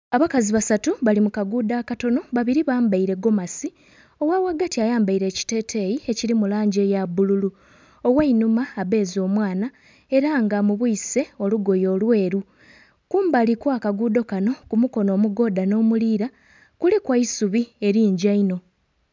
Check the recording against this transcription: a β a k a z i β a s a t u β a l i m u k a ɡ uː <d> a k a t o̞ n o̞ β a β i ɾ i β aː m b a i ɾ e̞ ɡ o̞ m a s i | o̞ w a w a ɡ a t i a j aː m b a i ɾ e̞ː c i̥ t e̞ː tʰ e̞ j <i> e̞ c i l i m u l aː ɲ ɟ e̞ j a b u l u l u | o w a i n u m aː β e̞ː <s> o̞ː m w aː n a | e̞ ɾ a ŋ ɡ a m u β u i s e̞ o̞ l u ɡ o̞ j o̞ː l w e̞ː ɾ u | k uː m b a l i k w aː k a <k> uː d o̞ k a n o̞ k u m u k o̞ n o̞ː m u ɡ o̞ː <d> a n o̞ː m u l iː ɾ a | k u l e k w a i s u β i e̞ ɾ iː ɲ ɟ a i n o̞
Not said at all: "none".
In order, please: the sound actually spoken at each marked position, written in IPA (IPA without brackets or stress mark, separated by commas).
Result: d, i, z, ɡ, d